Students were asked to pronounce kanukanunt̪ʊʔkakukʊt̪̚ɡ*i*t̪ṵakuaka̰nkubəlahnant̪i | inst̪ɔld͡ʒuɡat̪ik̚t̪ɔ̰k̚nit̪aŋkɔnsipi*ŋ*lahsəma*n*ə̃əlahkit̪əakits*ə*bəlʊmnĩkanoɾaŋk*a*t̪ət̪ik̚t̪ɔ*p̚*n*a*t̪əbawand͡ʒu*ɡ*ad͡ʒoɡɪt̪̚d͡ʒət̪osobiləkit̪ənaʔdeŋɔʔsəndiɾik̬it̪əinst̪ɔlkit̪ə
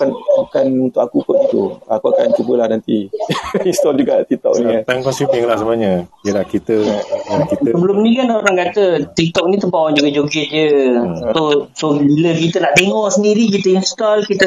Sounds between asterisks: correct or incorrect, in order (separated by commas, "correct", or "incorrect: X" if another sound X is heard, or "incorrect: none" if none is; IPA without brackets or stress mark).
correct, correct, incorrect: ɲ, correct, correct, incorrect: k̚, incorrect: i, correct